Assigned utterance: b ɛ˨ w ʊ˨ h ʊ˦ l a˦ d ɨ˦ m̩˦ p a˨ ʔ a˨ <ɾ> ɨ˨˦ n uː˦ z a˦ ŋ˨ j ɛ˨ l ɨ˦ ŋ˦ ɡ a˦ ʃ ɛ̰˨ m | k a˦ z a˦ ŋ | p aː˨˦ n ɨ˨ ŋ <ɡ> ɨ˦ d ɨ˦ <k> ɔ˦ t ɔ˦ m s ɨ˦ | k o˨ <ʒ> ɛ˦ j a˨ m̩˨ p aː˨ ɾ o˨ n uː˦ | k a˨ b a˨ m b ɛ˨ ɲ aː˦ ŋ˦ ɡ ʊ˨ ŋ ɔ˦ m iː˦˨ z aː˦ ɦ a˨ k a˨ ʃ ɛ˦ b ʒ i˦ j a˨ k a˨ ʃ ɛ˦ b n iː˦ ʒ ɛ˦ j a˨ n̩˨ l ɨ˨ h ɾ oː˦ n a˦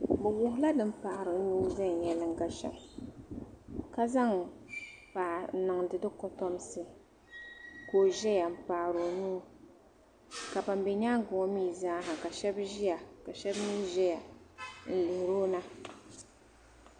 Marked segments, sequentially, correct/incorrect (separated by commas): correct, incorrect, correct, correct